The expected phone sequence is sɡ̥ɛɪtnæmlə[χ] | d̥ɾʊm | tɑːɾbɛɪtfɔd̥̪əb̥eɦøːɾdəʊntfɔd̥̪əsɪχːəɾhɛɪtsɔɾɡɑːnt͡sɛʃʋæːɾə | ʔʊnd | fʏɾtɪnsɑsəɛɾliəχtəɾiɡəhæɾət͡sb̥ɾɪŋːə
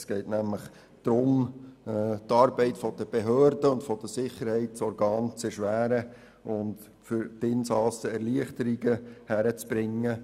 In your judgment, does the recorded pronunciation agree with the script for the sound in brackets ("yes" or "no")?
yes